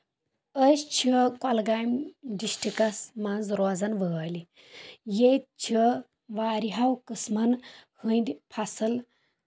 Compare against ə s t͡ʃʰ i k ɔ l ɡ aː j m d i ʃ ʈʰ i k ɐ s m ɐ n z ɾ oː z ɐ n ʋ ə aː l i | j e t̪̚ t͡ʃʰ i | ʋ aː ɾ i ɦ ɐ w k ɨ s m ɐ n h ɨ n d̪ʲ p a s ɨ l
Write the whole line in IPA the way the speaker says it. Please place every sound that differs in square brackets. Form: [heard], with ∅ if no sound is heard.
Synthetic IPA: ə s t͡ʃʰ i k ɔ l ɡ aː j m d i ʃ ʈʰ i k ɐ s m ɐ n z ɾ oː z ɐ n ʋ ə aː l i | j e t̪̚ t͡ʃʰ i | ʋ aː ɾ i ɦ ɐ w k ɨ s m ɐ n h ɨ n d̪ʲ [pʰ] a s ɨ l

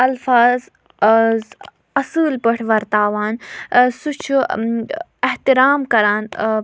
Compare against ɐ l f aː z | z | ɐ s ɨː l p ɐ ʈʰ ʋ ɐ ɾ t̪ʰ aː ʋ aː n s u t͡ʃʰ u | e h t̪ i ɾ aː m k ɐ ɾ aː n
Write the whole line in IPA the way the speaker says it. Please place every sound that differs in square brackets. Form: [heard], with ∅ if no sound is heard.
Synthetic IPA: ɐ l f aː z | z | ɐ s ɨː l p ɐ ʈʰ ʋ ɐ ɾ [t̪] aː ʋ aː n s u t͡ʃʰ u | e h t̪ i ɾ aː m k ɐ ɾ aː n

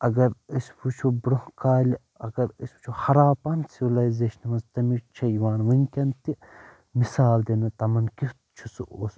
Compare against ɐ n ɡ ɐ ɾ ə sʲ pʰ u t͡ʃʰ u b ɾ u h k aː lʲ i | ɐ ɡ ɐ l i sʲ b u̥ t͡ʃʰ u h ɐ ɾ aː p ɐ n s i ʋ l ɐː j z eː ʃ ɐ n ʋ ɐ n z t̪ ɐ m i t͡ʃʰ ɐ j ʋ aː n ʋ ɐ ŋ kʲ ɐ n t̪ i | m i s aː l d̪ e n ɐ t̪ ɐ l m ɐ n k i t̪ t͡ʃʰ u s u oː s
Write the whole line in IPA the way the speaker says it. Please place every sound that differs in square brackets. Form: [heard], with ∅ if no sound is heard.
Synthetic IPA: ɐ [∅] ɡ ɐ ɾ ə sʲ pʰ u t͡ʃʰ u b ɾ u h k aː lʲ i | ɐ ɡ ɐ [ɾ] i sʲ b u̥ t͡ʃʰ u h ɐ ɾ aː p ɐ n s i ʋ l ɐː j z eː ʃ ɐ n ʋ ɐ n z t̪ ɐ m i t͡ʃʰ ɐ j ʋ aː n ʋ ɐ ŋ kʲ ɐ n t̪ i | m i s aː l d̪ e n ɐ t̪ ɐ [∅] m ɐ n k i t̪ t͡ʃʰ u s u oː s

